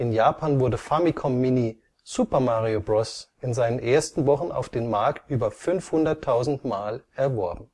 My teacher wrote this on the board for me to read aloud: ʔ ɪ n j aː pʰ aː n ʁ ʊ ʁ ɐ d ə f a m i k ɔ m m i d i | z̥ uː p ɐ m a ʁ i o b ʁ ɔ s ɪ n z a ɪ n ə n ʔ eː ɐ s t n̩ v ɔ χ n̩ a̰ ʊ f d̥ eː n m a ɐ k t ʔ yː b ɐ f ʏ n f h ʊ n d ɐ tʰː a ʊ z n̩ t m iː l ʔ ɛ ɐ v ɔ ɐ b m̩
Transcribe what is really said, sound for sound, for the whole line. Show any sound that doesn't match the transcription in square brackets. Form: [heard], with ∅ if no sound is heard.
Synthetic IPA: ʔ ɪ n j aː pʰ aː n [v] ʊ [∅] ɐ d ə f a m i [kʰ] ɔ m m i [n] i | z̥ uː p ɐ m a ʁ i o b ʁ ɔ s ɪ n z a ɪ n ə n ʔ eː ɐ s t n̩ v ɔ χ n̩ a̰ ʊ f d̥ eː n m a ɐ k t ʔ yː b ɐ f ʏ n f h ʊ n d ɐ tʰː a ʊ z n̩ t m [aː] l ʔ ɛ ɐ v ɔ ɐ b m̩

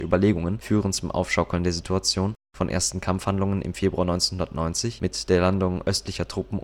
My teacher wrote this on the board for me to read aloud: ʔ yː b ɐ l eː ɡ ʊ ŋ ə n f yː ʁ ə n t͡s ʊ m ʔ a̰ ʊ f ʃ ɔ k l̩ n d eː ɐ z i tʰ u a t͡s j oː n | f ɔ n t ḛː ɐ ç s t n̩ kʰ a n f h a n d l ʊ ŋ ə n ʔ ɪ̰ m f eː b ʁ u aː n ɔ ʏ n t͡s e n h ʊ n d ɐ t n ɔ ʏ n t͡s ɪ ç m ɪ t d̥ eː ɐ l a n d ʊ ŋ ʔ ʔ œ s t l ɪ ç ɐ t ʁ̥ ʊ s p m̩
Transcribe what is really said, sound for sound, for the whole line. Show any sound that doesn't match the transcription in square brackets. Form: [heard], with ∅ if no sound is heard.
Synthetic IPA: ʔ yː b ɐ l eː ɡ ʊ ŋ ə n f yː ʁ ə n t͡s ʊ m ʔ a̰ ʊ f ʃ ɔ k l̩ n d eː ɐ z i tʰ u a t͡s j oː n | f ɔ n [ʔ] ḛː ɐ [∅] s t n̩ kʰ a [m] f h a n d l ʊ ŋ ə n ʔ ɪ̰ m f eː b ʁ u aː n ɔ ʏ n t͡s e n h ʊ n d ɐ t n ɔ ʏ n t͡s ɪ ç m ɪ t d̥ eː ɐ l a n d ʊ ŋ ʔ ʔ œ s t l ɪ ç ɐ t ʁ̥ ʊ [∅] p m̩

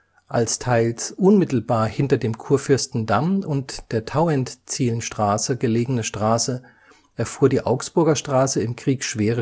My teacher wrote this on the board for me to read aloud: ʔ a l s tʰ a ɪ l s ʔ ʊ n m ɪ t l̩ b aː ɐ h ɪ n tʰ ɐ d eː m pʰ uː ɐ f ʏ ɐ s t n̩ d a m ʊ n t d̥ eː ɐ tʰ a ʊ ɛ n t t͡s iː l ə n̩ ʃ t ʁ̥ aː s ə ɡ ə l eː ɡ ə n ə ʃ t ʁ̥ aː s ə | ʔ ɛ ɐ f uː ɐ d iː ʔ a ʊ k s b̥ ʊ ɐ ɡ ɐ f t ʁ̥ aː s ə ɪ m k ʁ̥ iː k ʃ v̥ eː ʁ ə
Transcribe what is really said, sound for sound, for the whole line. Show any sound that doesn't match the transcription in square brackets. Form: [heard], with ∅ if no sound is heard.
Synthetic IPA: ʔ a l s tʰ a ɪ l s ʔ ʊ n m ɪ t l̩ b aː ɐ h ɪ n [t] ɐ d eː m [kʰ] uː ɐ f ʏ ɐ s t n̩ d a m ʊ n t d̥ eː ɐ tʰ a ʊ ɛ n t t͡s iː l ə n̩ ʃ t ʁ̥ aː s ə ɡ ə l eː ɡ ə n ə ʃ t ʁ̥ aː s ə | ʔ ɛ ɐ f uː ɐ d iː ʔ a ʊ k s b̥ ʊ ɐ ɡ ɐ [ʃ] t ʁ̥ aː s ə ɪ m k ʁ̥ iː k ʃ v̥ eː ʁ ə

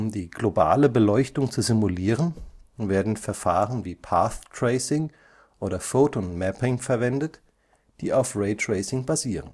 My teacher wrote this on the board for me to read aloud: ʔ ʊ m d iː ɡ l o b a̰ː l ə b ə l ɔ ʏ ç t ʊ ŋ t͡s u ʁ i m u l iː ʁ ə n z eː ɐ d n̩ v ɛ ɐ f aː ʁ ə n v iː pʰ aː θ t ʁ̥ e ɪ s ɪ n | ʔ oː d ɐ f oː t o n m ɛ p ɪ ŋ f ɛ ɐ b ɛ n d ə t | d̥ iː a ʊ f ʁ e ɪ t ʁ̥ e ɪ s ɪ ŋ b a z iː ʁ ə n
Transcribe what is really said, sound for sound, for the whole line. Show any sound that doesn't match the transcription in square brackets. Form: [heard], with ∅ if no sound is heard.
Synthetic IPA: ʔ ʊ m d iː ɡ l o b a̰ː l ə b ə l ɔ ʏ ç t ʊ ŋ t͡s u [z] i m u l iː ʁ ə n [v] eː ɐ d n̩ [f] ɛ ɐ f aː ʁ ə n v iː pʰ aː θ t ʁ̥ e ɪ s ɪ [ŋ] | ʔ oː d ɐ f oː t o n m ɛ p ɪ ŋ f ɛ ɐ [v] ɛ n d ə t | d̥ iː a ʊ f ʁ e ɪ t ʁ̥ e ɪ s ɪ ŋ b a z iː ʁ ə n

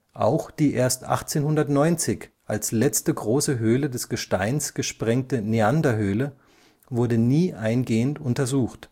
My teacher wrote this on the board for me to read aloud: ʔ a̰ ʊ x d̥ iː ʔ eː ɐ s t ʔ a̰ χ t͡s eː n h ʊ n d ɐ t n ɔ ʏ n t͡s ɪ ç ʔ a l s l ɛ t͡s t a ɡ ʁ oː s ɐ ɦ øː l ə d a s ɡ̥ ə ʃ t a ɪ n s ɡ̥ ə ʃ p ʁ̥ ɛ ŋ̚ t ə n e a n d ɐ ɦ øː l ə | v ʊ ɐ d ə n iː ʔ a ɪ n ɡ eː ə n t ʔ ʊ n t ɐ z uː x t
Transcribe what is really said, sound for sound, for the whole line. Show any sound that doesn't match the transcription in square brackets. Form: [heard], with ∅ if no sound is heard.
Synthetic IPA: ʔ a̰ ʊ x d̥ iː ʔ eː ɐ s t ʔ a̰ χ t͡s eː n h ʊ n d ɐ t n ɔ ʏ n t͡s ɪ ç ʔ a l s l ɛ t͡s t [ə] ɡ ʁ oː s [ə] ɦ øː l ə d [ɛ] s ɡ̥ ə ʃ t a ɪ n s ɡ̥ ə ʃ p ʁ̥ ɛ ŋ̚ t ə n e a n d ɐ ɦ øː l ə | v ʊ ɐ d ə n iː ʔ a ɪ n ɡ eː ə n t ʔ ʊ n t ɐ z uː x t

